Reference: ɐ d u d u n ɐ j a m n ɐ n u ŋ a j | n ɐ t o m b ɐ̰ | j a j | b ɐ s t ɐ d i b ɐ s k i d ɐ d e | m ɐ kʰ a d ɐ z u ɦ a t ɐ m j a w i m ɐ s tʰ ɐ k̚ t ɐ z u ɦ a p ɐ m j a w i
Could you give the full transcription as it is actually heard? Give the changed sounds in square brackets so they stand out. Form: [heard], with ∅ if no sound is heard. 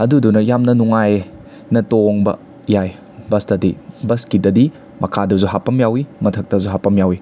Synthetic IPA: ɐ d u d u n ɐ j a m n ɐ n u ŋ a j | n ɐ t o [ŋ] b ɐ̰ | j a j | b ɐ s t ɐ d i b ɐ s k i d ɐ d [i] | m ɐ kʰ a d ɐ z u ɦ a [p] ɐ m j a w i m ɐ [∅] tʰ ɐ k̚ t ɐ z u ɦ a p ɐ m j a w i